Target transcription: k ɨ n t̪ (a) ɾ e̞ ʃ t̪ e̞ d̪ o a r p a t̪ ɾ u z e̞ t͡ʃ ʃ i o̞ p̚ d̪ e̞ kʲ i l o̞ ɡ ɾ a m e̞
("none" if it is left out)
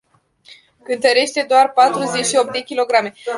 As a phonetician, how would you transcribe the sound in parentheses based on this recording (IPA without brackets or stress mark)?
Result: ə